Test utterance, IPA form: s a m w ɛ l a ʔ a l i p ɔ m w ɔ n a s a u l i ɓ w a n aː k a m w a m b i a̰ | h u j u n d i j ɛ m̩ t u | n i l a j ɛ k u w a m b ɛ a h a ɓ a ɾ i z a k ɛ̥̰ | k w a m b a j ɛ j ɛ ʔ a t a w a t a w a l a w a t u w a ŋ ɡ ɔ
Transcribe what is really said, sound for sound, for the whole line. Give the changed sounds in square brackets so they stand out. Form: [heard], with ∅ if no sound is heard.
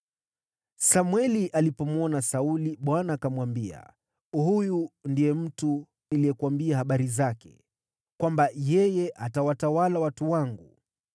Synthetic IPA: s a m w ɛ l [i] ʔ a l i p ɔ m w ɔ n a s a u l i ɓ w a n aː k a m w a m b i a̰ | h u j u n d i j ɛ m̩ t u | n i l [i] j ɛ k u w a m b [i] a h a ɓ a ɾ i z a k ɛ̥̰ | k w a m b a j ɛ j ɛ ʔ a t a w a t a w a l a w a t u w a ŋ ɡ [u]